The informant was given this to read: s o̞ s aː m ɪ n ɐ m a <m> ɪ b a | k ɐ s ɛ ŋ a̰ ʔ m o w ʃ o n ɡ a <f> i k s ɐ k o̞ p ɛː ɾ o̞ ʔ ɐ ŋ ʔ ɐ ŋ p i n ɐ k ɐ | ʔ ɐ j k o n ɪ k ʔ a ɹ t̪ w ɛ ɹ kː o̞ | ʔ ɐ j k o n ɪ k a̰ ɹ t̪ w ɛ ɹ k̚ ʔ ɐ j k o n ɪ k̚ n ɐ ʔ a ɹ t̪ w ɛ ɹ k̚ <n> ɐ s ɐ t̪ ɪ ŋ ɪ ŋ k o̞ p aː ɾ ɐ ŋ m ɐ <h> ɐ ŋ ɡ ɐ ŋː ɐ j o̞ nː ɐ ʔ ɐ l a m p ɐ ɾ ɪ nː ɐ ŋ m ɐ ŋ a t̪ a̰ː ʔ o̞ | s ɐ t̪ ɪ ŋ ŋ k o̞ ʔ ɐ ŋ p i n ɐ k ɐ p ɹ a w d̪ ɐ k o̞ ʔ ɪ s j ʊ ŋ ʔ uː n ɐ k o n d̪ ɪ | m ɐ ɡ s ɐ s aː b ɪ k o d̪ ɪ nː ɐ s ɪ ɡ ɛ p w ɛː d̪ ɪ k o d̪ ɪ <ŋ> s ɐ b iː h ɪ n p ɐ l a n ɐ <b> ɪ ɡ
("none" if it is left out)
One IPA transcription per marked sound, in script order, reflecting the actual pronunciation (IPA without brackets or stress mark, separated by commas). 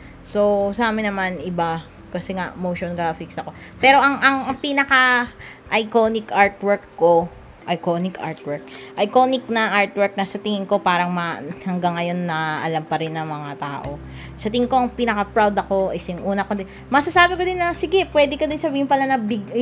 n, f, n, h, n, b